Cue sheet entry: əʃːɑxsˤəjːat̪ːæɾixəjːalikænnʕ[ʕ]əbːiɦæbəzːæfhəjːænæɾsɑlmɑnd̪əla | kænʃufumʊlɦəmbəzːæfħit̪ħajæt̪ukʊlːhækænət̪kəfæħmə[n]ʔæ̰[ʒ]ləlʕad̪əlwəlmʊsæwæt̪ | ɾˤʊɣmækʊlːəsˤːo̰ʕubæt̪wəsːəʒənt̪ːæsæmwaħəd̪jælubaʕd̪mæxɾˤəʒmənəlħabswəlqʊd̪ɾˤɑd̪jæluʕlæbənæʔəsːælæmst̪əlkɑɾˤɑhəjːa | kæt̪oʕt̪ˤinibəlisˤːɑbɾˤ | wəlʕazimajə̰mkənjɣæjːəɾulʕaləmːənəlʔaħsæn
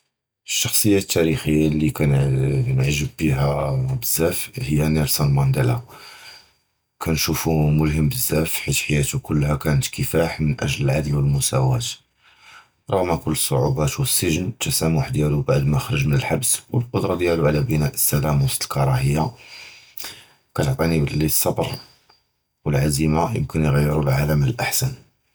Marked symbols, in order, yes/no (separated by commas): no, yes, yes